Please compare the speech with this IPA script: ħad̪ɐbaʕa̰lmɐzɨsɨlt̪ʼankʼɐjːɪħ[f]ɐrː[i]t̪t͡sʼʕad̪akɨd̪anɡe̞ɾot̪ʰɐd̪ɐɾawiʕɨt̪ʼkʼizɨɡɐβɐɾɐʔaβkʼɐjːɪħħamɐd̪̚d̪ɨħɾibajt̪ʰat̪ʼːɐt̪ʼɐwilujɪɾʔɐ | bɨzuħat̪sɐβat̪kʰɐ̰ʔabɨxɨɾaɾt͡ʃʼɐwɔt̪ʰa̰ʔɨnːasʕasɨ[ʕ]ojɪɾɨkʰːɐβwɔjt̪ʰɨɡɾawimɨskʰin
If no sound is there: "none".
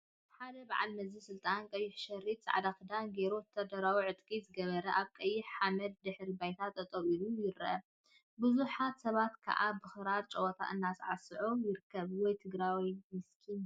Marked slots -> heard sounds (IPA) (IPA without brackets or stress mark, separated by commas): ʃ, i, ʕ